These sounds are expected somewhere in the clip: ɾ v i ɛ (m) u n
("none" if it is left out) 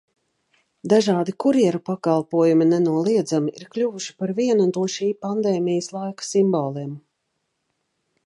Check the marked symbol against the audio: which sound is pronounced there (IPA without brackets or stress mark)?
n